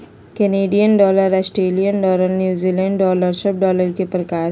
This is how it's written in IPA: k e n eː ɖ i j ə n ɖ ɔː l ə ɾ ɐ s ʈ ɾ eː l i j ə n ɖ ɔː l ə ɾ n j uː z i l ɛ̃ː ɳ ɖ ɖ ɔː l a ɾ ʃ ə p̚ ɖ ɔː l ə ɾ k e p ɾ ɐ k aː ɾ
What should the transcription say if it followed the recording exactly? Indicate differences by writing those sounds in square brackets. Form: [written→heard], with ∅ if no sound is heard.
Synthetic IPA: k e n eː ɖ i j ə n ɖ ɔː l ə ɾ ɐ s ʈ ɾ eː l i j ə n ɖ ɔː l ə ɾ n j uː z i l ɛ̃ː ɳ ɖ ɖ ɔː l [a→ə] ɾ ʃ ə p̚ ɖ ɔː l ə ɾ k e p ɾ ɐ k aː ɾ